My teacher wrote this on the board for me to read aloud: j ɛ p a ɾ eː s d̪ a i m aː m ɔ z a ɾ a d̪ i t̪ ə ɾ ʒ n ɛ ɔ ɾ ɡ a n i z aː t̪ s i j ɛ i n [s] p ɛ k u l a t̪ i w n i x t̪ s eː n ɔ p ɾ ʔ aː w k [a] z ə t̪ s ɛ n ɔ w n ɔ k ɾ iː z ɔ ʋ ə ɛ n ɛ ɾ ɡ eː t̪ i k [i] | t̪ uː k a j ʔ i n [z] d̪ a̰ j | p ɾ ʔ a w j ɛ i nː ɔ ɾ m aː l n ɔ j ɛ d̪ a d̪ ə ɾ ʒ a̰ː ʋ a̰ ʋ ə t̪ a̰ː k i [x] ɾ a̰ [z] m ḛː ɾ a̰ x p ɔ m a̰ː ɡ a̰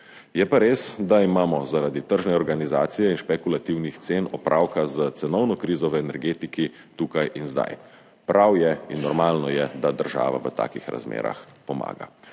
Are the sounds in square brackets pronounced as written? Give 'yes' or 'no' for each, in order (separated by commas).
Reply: no, yes, yes, yes, yes, yes